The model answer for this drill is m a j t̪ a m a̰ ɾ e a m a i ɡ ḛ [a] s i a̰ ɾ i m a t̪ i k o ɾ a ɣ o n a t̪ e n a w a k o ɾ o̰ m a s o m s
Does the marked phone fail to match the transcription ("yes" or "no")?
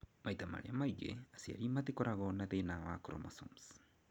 no